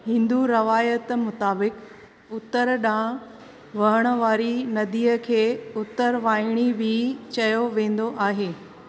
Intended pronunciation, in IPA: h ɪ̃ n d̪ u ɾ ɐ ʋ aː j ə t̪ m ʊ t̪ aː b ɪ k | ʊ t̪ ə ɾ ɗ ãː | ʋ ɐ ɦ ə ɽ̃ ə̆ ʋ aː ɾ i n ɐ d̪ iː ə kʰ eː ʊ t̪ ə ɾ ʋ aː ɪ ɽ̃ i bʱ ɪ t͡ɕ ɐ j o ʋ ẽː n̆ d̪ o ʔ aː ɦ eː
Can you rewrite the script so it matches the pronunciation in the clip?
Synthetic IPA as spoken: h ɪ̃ n d̪ u ɾ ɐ ʋ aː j ə t̪ m ʊ t̪ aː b ɪ k | ʊ t̪ ə ɾ ɗ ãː | ʋ ɐ ɦ ə ɽ̃ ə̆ ʋ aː ɾ i n ɐ d̪ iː ə kʰ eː ʊ t̪ ə ɾ ʋ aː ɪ ɽ̃ i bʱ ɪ t͡ɕ ɐ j o ʋ ẽː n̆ d̪ o ʔ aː ɦ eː